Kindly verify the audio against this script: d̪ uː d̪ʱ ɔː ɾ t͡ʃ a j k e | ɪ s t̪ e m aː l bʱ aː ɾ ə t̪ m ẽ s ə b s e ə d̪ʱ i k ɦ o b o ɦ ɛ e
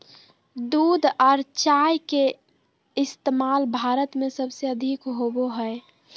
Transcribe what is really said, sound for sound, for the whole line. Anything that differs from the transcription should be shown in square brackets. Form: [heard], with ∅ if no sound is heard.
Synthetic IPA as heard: d̪ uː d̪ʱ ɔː ɾ t͡ʃ a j k e | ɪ s t̪ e m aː l bʱ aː ɾ ə t̪ m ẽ s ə b s e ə d̪ʱ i k ɦ o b o ɦ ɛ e